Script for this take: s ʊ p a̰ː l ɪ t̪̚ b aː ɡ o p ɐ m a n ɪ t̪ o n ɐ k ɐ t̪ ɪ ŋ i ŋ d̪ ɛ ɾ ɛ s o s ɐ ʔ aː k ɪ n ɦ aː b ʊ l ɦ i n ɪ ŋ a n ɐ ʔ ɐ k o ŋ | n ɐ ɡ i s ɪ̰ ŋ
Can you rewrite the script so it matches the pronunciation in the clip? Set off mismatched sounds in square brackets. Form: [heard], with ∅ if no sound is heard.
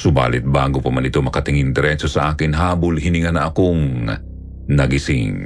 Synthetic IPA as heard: s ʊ [b] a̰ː l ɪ t̪̚ b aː ɡ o p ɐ m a n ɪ t̪ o [m] ɐ k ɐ t̪ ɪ ŋ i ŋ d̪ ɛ ɾ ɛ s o s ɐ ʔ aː k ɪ n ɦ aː b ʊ l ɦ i n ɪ ŋ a n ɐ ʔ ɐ k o ŋ | n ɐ ɡ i s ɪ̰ ŋ